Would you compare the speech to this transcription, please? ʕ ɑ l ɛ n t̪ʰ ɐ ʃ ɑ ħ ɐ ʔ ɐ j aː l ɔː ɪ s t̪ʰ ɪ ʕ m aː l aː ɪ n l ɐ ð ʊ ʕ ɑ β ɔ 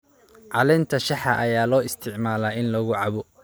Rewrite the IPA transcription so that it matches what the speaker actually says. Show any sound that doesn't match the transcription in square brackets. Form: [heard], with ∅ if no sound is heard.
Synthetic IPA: ʕ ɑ l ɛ n t̪ʰ ɐ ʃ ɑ ħ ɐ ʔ ɐ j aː l ɔː ɪ s t̪ʰ ɪ ʕ m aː l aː ɪ n l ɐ [ɣ] ʊ ʕ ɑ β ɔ

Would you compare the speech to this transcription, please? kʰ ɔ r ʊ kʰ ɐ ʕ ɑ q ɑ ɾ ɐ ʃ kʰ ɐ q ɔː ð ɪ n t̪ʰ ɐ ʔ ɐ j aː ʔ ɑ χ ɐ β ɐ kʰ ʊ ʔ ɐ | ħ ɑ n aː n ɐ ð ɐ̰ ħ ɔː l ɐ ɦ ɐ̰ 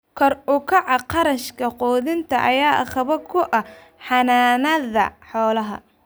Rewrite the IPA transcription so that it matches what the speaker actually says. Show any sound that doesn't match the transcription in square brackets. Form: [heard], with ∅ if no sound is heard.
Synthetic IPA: kʰ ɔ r ʊ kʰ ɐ ʕ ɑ q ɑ ɾ ɐ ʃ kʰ ɐ q ɔː ð ɪ n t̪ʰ ɐ ʔ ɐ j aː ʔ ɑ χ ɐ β ɐ kʰ ʊ ʔ ɐ | ħ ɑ n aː n ɐ ð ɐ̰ ħ ɔː l ɐ ɦ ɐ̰

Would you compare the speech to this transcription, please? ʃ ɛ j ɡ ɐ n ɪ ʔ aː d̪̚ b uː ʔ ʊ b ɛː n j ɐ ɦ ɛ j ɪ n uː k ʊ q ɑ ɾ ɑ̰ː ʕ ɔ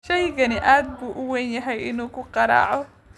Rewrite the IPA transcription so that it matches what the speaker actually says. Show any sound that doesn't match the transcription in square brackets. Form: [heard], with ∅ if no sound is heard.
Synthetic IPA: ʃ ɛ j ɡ ɐ n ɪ ʔ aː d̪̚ b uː ʔ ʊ [w] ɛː n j ɐ ɦ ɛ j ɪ n uː k ʊ q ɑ ɾ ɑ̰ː ʕ ɔ

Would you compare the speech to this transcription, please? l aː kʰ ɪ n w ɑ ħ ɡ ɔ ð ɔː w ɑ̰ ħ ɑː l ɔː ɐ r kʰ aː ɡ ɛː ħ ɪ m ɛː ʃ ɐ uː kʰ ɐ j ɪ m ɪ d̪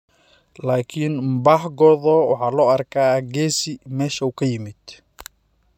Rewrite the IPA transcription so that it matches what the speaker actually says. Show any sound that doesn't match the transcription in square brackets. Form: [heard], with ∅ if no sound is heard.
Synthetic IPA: l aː kʰ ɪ n [b] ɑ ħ ɡ ɔ ð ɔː w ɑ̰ ħ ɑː l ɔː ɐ r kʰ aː ɡ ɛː [s] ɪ m ɛː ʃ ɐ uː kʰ ɐ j ɪ m ɪ d̪

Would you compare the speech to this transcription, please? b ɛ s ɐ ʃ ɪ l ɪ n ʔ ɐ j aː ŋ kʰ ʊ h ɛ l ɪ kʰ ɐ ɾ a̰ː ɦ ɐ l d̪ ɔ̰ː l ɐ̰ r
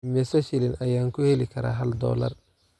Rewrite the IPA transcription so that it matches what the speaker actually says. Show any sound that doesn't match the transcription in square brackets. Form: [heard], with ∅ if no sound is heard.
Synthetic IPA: [m] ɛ s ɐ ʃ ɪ l ɪ n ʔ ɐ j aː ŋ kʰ ʊ h ɛ l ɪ kʰ ɐ ɾ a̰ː ɦ ɐ l d̪ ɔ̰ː l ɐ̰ r

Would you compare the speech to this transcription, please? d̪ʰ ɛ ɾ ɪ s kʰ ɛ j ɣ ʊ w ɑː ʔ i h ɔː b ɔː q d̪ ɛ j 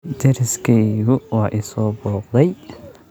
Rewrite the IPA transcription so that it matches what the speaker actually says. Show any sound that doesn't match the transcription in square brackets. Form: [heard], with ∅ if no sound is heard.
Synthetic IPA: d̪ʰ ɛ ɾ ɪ s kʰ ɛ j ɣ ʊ w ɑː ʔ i [s] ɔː b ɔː q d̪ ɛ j

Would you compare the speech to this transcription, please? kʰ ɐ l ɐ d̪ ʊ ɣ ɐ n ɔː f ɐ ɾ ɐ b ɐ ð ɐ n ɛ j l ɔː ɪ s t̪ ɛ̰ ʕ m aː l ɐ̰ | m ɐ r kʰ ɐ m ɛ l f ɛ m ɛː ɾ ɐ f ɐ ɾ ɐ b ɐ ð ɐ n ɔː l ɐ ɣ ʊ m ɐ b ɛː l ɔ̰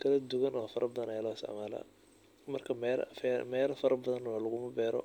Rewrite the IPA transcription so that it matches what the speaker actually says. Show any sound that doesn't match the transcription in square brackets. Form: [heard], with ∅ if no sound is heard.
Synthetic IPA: kʰ ɐ l ɐ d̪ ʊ ɣ ɐ n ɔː f ɐ ɾ ɐ b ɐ ð ɐ n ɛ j l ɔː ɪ s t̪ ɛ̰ ʕ m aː l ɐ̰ | m ɐ r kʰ ɐ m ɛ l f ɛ m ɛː [l] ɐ f ɐ ɾ ɐ b ɐ ð ɐ n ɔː l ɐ ɣ ʊ m ɐ b ɛː [ɾ] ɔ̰

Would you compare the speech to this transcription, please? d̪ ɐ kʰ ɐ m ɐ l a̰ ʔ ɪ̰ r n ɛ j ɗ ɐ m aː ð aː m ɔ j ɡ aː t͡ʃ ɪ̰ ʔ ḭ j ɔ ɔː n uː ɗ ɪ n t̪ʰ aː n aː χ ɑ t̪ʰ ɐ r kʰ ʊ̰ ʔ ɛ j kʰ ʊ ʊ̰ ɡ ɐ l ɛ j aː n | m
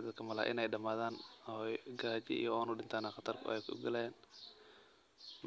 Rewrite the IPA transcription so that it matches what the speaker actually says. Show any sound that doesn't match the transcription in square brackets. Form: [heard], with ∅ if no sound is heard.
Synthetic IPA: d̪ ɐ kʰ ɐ m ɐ l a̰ ʔ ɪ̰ [∅] n ɛ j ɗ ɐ m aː ð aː [n] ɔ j ɡ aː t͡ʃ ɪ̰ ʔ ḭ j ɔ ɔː n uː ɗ ɪ n t̪ʰ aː n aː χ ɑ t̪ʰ ɐ r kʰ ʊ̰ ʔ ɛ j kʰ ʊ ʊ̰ ɡ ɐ l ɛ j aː n | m

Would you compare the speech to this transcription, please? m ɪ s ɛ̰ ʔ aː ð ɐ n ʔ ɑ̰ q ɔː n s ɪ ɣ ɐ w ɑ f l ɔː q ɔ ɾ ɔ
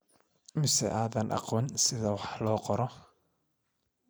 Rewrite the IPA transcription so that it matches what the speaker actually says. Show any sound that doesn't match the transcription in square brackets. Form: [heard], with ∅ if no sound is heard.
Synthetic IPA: m ɪ s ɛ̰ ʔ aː ð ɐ n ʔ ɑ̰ q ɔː n s ɪ [ð] ɐ w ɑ [ħ] l ɔː q ɔ ɾ ɔ

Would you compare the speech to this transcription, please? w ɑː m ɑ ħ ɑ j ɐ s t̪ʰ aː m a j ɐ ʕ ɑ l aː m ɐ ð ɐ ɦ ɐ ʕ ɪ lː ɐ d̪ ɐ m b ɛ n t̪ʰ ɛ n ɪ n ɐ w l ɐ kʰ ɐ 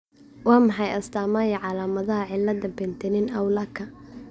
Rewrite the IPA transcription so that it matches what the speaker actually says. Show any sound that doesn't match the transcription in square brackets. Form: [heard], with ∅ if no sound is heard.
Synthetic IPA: w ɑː m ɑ ħ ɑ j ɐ s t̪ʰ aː m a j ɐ ʕ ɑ l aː m ɐ ð ɐ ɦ ɐ ʕ ɪ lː ɐ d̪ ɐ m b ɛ n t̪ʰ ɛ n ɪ n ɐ w l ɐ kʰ ɐ

